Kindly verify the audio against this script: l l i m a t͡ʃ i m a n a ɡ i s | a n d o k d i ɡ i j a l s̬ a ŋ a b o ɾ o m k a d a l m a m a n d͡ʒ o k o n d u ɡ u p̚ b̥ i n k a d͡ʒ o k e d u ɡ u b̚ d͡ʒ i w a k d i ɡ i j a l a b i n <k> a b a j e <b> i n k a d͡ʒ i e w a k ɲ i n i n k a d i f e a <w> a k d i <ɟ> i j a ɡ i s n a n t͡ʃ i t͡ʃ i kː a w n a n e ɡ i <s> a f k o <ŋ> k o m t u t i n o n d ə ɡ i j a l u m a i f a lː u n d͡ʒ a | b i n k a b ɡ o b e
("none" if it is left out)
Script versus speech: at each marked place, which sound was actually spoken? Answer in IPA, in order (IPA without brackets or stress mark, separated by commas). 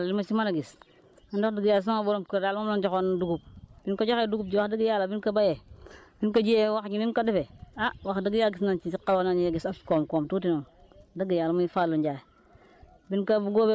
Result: k, b, w, ɡ, s, m